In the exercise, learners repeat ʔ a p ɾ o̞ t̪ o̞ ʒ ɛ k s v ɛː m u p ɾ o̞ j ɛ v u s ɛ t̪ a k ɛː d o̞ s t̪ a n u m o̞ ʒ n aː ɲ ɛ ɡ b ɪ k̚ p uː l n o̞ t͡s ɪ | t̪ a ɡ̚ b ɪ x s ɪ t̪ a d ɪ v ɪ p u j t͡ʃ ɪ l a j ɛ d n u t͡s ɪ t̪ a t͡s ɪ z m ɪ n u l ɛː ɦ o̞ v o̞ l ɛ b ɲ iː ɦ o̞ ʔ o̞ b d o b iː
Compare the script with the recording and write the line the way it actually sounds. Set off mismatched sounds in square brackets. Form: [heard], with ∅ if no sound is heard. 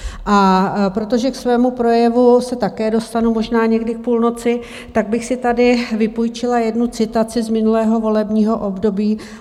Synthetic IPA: ʔ a p ɾ o̞ t̪ o̞ ʒ ɛ k s v ɛː m u p ɾ o̞ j ɛ v u s ɛ t̪ a k ɛː d o̞ s t̪ a n u m o̞ ʒ n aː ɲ ɛ ɡ [d] ɪ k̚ p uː l n o̞ t͡s ɪ | t̪ a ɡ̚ b ɪ x s ɪ t̪ a d ɪ v ɪ p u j t͡ʃ ɪ l a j ɛ d n u t͡s ɪ t̪ a t͡s ɪ z m ɪ n u l ɛː ɦ o̞ v o̞ l ɛ b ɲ iː ɦ o̞ ʔ o̞ b d o b iː